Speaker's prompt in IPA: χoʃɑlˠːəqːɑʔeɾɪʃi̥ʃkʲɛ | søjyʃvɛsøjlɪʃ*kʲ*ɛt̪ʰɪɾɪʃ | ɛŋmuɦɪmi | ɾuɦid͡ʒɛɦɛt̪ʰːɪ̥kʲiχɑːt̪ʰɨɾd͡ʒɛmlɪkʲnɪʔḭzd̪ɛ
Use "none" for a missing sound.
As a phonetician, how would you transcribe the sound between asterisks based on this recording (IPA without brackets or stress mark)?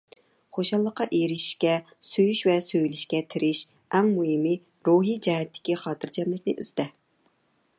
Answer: kʲ